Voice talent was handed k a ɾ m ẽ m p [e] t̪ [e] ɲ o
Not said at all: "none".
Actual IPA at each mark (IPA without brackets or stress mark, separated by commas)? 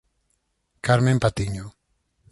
a, i